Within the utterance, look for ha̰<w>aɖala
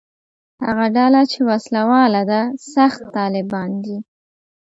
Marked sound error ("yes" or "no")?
yes